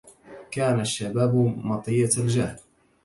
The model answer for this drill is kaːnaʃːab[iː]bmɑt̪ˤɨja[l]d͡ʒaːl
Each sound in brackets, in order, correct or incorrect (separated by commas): incorrect, correct